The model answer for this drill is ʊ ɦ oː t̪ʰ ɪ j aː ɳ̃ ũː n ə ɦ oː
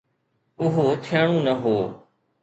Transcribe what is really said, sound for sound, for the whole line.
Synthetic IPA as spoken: ʊ ɦ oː t̪ʰ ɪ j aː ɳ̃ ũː n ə ɦ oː